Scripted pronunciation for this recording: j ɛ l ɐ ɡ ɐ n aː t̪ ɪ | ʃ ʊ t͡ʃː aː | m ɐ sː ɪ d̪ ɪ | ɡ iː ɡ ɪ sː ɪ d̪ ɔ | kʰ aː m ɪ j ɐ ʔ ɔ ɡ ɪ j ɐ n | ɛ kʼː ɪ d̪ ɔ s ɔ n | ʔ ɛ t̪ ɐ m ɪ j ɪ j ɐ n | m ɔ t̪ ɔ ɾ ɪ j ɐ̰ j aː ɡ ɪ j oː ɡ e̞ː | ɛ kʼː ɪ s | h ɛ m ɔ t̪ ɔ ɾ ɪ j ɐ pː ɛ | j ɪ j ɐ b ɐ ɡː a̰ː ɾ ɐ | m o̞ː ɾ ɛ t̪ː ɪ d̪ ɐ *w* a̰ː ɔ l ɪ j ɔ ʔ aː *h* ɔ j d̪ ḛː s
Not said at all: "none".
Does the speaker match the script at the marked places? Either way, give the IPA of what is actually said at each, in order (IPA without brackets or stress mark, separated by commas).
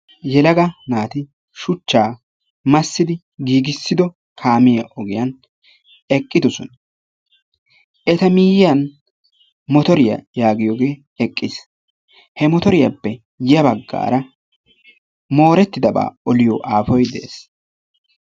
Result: b, f